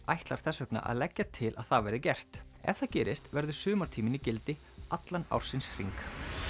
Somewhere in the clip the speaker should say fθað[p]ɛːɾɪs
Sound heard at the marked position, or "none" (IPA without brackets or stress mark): c